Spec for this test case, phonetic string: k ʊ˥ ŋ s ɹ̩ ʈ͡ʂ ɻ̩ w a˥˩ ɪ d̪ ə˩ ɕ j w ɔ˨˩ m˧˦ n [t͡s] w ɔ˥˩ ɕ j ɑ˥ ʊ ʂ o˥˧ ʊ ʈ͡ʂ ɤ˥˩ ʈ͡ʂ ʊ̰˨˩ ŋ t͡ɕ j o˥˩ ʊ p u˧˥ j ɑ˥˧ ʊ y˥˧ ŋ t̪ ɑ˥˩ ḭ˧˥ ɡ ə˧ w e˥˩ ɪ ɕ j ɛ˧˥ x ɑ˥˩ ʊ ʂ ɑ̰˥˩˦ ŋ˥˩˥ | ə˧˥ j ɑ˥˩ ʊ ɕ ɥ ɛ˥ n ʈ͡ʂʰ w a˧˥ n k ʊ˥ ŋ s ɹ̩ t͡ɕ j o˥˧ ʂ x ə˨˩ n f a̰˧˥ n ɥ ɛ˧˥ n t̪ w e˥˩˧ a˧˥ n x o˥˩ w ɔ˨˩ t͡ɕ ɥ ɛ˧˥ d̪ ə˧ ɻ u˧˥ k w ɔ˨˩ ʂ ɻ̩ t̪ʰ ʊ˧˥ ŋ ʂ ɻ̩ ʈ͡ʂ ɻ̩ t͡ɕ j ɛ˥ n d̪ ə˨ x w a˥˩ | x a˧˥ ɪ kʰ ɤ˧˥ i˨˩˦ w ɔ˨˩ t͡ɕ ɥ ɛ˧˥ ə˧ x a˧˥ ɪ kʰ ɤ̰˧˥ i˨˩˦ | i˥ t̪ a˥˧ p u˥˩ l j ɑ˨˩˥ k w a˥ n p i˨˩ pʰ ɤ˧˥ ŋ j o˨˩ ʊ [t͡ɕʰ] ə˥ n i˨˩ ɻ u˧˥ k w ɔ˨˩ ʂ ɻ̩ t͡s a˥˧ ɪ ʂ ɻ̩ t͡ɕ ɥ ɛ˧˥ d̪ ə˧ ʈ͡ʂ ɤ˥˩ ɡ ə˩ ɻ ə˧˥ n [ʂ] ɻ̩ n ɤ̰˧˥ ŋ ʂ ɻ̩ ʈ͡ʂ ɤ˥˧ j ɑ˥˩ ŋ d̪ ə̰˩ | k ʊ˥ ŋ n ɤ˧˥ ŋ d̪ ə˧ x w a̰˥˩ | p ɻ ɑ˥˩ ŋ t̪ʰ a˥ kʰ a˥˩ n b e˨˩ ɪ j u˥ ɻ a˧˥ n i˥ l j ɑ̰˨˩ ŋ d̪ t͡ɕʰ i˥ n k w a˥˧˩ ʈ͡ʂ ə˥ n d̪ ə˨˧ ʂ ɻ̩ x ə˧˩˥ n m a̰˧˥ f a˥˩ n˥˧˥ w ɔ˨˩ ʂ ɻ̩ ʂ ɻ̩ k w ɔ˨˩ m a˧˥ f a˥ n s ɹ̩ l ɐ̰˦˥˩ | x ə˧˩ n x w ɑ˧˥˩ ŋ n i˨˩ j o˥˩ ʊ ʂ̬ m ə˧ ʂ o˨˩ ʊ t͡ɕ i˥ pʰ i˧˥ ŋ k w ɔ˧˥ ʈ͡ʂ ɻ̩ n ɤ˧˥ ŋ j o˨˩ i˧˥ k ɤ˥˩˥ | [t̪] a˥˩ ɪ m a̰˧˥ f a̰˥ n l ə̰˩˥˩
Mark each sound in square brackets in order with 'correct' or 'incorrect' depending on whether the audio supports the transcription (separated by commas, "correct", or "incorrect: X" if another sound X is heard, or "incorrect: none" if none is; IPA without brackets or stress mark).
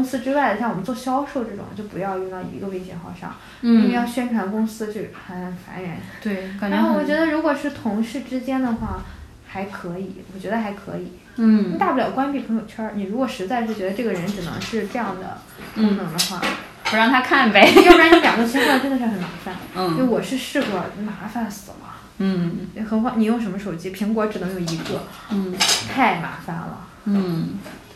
correct, correct, incorrect: ʈ͡ʂ, incorrect: t̪ʰ